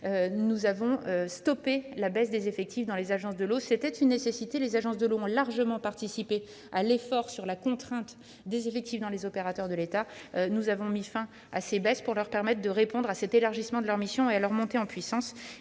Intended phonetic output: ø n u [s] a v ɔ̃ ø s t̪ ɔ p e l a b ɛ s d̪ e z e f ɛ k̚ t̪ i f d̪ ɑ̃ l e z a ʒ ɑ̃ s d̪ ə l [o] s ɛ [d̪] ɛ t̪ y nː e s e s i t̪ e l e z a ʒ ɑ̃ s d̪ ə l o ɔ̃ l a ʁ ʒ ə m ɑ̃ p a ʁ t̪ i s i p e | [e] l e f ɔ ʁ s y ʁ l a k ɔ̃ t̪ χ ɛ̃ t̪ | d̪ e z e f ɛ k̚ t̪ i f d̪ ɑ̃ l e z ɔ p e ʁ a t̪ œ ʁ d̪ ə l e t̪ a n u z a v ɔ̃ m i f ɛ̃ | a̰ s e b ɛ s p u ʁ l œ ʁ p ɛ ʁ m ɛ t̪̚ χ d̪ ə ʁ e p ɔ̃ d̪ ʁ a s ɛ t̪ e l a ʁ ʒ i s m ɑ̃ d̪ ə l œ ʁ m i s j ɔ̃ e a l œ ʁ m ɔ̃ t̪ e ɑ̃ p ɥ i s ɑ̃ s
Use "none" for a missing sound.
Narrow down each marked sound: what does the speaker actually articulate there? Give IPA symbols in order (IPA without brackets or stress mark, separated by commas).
z, o, t̪, a